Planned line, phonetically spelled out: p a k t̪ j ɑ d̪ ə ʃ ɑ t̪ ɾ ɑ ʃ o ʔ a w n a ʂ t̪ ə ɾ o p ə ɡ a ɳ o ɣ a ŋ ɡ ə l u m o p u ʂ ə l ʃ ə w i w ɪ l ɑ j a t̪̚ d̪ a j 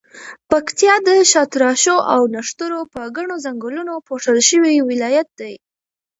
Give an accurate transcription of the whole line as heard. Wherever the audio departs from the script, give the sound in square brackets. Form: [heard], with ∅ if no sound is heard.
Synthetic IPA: p a k t̪ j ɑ d̪ ə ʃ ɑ t̪ ɾ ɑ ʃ o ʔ a w n a ʂ t̪ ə ɾ o p ə ɡ a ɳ o [z] a ŋ ɡ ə l u [n] o p [o] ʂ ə l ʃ ə w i w ɪ l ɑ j a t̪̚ d̪ a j